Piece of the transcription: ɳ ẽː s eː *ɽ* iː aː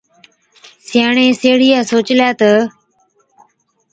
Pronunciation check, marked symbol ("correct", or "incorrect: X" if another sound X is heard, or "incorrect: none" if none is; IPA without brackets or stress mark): correct